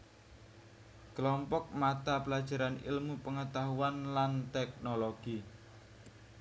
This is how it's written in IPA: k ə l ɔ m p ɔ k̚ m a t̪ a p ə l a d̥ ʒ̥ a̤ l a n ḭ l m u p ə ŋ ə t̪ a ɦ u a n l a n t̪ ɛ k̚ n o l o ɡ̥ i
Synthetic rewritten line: k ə l ɔ m p ɔ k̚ m a t̪ a p ə l a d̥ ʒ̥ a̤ ɾ a n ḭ l m u p ə ŋ ə t̪ a ɦ u a n l a n t̪ ɛ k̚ n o l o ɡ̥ i